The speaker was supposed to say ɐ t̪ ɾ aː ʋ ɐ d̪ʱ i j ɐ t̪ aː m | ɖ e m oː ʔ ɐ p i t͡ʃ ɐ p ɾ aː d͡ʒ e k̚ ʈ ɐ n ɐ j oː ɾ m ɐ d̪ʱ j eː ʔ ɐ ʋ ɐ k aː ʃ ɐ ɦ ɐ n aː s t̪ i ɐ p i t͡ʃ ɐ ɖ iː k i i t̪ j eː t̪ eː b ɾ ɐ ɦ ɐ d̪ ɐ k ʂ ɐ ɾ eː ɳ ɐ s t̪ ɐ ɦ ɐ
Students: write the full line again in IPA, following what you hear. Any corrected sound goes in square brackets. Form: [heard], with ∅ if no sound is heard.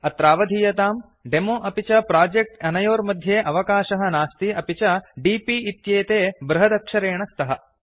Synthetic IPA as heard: ɐ t̪ ɾ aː ʋ ɐ d̪ʱ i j ɐ t̪ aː m | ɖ e m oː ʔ ɐ p i t͡ʃ ɐ p ɾ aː d͡ʒ e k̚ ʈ ɐ n ɐ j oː ɾ m ɐ d̪ʱ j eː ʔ ɐ ʋ ɐ k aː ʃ ɐ ɦ ɐ n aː s t̪ i ɐ p i t͡ʃ ɐ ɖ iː [p] i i t̪ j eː t̪ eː b ɾ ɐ ɦ ɐ d̪ ɐ k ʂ ɐ ɾ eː ɳ ɐ s t̪ ɐ ɦ ɐ